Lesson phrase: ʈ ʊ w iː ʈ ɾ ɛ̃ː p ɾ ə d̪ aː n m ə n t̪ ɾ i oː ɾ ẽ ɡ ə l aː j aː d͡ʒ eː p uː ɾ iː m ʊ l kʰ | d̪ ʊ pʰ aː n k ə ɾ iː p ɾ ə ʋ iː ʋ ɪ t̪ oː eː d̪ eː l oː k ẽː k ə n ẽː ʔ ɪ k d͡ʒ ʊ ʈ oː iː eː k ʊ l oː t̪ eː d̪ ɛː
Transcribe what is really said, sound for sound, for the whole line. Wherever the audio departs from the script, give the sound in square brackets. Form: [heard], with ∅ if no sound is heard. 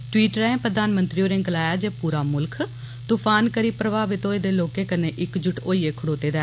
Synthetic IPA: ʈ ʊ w iː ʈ ɾ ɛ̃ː p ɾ ə d̪ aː n m ə n t̪ ɾ i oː ɾ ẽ ɡ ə l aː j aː d͡ʒ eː p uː ɾ [aː] m ʊ l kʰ | [t̪] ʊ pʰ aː n k ə ɾ iː p ɾ ə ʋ [aː] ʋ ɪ t̪ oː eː d̪ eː l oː k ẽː k ə n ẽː ʔ ɪ k d͡ʒ ʊ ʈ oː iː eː [kʰ] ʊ [ɽ] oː t̪ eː d̪ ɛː